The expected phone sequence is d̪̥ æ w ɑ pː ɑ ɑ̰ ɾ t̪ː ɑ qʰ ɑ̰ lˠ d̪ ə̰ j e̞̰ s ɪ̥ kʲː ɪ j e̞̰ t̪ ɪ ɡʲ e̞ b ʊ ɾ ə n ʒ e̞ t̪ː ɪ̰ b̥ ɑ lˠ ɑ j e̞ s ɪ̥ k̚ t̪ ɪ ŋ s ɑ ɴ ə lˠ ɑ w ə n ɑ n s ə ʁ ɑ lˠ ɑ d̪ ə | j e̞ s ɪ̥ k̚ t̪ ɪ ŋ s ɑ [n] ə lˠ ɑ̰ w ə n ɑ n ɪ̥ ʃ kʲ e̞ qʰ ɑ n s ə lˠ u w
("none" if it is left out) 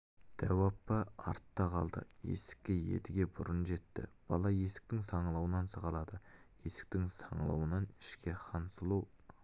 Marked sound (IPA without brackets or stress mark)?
ɴ